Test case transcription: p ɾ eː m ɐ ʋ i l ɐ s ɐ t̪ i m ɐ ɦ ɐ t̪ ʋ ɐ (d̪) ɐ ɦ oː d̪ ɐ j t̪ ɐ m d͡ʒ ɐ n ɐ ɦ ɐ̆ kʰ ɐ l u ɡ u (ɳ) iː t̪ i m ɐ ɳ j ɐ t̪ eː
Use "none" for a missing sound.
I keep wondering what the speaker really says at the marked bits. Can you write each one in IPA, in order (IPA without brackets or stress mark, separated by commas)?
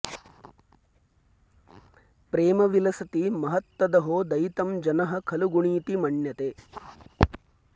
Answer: d̪, ɳ